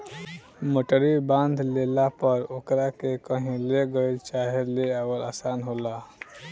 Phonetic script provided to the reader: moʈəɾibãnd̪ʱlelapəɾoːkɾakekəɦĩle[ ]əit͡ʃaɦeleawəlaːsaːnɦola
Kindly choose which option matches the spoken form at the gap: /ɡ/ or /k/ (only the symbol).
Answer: ɡ